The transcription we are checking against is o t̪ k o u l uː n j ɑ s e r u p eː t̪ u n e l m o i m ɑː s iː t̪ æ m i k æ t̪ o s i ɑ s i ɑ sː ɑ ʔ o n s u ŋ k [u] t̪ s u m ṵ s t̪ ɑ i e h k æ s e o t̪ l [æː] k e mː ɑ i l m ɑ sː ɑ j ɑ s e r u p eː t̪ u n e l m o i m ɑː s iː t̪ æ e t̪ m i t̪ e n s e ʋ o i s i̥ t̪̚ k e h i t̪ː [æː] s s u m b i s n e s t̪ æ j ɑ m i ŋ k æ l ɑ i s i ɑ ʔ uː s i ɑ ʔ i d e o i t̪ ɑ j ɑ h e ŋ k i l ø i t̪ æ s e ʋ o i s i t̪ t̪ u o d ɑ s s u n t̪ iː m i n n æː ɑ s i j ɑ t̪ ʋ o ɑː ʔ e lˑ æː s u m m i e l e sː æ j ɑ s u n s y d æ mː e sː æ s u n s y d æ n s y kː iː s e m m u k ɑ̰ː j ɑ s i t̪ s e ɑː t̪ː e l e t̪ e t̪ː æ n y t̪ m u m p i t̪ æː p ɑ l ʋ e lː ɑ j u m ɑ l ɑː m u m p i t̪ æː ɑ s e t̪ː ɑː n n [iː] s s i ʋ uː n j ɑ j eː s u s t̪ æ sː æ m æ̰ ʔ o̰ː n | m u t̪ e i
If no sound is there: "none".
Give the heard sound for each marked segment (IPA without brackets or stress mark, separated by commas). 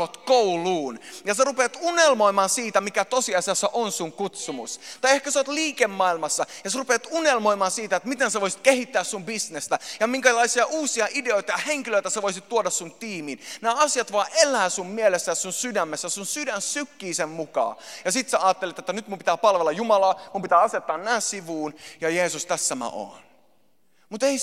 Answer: u, iː, æː, æː